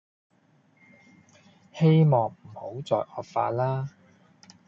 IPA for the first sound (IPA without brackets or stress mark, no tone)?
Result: h